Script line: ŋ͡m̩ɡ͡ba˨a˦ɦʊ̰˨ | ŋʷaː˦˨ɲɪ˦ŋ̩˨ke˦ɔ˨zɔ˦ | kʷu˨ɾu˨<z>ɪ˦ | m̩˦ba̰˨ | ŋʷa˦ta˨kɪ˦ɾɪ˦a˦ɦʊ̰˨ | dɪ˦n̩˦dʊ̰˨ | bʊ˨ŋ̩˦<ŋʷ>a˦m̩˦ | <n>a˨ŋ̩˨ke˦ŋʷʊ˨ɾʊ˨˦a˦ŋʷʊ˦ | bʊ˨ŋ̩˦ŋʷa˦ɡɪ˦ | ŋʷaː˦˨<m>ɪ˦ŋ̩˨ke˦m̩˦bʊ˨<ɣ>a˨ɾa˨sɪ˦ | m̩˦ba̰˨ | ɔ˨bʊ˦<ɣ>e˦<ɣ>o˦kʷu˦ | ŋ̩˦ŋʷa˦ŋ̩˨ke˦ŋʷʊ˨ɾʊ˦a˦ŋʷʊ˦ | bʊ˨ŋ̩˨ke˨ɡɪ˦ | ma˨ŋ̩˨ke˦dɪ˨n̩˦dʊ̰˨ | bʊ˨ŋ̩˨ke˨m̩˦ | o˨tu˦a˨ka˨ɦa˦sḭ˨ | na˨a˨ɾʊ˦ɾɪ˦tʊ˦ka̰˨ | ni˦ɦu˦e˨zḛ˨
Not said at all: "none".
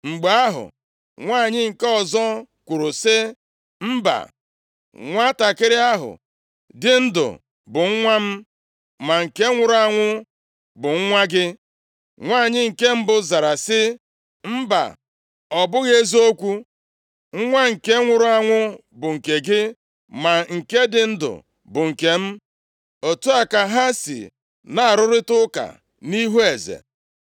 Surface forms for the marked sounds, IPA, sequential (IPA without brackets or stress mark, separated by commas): s, ŋʷ, m, ɲ, z, ɣ, z